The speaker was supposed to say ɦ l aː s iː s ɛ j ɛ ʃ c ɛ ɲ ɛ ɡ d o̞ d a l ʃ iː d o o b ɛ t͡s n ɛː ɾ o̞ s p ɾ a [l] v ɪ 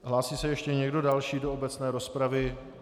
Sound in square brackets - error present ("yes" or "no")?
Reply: yes